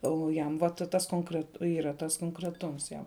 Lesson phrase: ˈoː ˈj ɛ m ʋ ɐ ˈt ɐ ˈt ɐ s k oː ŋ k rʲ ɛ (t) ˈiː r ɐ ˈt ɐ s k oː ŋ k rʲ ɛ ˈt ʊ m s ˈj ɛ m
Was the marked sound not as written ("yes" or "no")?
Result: no